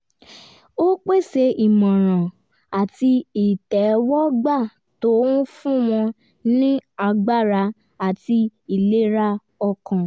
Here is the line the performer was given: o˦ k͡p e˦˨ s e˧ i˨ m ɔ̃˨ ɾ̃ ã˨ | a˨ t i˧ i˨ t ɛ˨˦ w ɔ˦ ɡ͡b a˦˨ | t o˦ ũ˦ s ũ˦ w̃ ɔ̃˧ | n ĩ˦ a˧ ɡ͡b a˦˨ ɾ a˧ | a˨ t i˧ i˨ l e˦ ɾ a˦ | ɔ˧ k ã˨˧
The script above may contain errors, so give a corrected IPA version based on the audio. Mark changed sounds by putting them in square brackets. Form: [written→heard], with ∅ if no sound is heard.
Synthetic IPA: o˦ k͡p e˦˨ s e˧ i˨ m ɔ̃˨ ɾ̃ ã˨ | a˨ t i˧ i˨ t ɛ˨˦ w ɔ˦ ɡ͡b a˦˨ | t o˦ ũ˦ [s→f] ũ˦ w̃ ɔ̃˧ | n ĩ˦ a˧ ɡ͡b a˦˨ ɾ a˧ | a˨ t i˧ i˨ l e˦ ɾ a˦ | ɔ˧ k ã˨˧

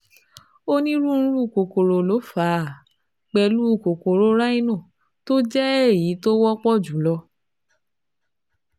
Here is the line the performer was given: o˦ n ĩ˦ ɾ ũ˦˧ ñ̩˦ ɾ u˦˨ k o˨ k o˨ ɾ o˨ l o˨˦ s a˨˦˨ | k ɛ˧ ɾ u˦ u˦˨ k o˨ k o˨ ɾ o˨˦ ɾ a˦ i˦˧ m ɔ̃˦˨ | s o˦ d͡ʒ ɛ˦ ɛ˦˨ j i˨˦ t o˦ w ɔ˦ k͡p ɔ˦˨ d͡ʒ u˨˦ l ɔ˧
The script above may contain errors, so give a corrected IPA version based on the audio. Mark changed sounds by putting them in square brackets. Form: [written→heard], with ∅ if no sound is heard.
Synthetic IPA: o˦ n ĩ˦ ɾ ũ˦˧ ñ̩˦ ɾ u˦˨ k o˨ k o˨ ɾ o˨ l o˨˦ [s→f] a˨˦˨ | [k→k͡p] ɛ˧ [ɾ→l] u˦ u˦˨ k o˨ k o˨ ɾ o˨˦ ɾ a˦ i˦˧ [m→n] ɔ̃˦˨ | [s→t] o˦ d͡ʒ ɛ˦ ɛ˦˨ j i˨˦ t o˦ w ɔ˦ k͡p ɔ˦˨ d͡ʒ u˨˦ l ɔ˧

